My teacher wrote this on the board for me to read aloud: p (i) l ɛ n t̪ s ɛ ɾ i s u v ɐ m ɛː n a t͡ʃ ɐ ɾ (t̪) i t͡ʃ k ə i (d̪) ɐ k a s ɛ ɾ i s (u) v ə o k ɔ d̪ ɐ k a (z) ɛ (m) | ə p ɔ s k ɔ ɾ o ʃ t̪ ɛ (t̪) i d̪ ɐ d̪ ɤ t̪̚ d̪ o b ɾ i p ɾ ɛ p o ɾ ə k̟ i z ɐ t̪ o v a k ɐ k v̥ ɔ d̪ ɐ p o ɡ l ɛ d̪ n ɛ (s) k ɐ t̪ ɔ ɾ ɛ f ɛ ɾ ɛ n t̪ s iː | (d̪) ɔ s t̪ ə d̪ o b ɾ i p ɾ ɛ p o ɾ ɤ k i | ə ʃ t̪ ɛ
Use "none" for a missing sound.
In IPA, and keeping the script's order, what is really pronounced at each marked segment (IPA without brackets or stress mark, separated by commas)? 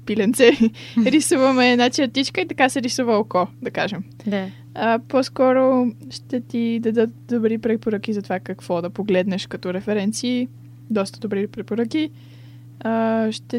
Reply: i, t̪, t̪, u, ʒ, m, t̪, ʃ, d̪